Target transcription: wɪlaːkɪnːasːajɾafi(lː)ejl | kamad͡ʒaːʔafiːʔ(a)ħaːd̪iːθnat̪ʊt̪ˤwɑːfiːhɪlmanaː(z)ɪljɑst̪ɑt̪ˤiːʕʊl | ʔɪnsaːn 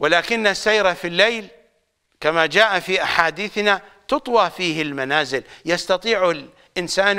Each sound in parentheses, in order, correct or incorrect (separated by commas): correct, correct, correct